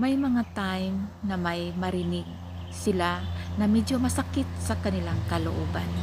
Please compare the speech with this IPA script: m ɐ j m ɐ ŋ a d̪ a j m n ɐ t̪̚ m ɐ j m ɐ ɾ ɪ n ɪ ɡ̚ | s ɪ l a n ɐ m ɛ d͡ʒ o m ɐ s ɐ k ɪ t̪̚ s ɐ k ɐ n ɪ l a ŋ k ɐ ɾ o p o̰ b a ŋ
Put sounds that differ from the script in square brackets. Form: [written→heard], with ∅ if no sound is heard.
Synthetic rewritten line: m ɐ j m ɐ ŋ a [d̪→t̪] a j m n ɐ [t̪̚→∅] m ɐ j m ɐ ɾ ɪ n ɪ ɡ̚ | s ɪ l a n ɐ m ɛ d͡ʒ o m ɐ s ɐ k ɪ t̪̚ s ɐ k ɐ n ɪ l a ŋ k ɐ [ɾ→l] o [p→ʔ] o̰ b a [ŋ→n]